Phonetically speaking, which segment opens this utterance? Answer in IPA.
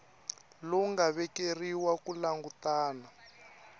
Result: l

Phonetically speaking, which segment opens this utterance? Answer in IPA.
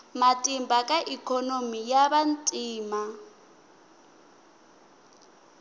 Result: m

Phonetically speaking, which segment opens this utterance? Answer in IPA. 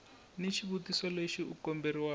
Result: n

